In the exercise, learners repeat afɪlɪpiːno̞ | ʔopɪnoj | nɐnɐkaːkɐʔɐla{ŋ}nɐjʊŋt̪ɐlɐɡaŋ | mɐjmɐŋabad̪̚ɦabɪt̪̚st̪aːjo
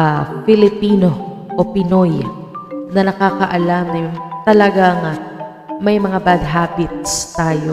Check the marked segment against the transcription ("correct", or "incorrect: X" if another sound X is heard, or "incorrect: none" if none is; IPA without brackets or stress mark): incorrect: m